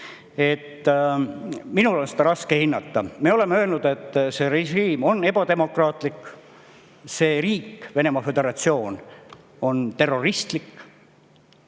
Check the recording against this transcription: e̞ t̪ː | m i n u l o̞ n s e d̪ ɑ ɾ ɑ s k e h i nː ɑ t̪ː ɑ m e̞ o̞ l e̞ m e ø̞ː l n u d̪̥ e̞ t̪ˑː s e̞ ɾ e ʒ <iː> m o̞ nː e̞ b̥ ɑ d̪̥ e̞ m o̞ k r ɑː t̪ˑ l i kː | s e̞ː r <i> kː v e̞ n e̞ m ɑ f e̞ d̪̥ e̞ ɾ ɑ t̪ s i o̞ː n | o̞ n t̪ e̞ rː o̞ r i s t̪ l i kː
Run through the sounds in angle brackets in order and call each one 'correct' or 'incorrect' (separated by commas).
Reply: correct, incorrect